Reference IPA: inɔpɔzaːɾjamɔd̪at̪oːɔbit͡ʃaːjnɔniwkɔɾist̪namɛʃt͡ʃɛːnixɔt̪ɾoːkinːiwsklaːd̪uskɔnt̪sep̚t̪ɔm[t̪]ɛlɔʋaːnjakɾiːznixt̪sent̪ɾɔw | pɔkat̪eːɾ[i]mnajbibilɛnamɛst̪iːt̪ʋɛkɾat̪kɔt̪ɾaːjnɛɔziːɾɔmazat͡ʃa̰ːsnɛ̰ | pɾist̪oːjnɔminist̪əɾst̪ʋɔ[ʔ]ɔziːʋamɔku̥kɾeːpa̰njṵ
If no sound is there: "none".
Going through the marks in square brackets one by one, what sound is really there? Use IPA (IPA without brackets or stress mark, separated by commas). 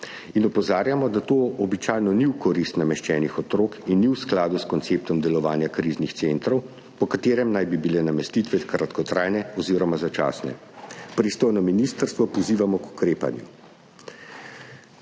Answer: d̪, ɛ, p